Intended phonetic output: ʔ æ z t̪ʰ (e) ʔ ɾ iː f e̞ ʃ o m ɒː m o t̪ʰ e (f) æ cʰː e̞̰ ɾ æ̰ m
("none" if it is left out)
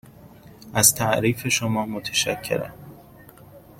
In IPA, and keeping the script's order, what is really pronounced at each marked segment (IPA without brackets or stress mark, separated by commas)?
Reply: æ, ʃ